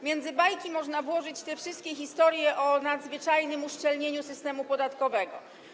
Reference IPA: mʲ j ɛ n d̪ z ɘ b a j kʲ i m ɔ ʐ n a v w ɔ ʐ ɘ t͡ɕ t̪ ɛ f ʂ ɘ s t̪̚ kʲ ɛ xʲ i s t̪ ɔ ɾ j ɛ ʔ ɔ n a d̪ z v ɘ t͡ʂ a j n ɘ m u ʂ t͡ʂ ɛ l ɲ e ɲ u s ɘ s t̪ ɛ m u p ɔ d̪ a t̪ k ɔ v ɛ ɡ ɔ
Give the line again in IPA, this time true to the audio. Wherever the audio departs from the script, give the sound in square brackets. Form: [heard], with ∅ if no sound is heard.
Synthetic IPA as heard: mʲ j ɛ n d̪ z ɘ b a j kʲ i m ɔ ʐ n a v w ɔ ʐ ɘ t͡ɕ t̪ ɛ f ʂ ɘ s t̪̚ kʲ ɛ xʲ i s t̪ ɔ ɾ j ɛ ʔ ɔ n a d̪ z v ɘ t͡ʂ a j n ɘ m u ʂ t͡ʂ ɛ l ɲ e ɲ u s ɘ s t̪ ɛ m u p ɔ d̪ a t̪ k ɔ v ɛ ɡ ɔ